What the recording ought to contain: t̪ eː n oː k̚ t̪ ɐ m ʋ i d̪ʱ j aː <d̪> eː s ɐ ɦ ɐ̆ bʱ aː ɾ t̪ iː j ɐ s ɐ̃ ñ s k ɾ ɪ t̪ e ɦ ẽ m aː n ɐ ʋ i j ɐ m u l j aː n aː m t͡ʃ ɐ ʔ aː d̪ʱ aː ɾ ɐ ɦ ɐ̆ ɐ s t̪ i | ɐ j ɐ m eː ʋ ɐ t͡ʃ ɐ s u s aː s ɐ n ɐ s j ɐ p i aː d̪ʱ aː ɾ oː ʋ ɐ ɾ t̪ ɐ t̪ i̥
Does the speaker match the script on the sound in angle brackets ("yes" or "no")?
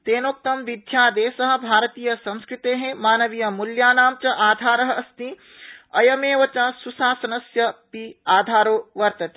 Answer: yes